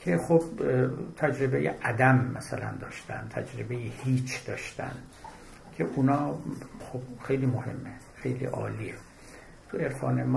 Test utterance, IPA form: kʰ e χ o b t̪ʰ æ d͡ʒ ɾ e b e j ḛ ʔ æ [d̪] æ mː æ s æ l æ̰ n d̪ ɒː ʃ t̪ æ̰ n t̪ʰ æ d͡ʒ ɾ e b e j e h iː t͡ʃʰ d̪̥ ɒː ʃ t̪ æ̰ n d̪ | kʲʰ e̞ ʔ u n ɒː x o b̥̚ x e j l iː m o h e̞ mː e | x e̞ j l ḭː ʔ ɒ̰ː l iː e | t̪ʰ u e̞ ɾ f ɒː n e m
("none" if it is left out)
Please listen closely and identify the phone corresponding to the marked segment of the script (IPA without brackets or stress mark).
d̪